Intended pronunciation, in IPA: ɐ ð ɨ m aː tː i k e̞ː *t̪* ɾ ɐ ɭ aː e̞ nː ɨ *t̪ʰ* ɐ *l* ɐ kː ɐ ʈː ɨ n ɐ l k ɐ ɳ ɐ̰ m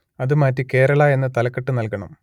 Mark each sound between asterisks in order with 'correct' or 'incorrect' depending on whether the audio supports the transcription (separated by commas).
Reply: incorrect, incorrect, correct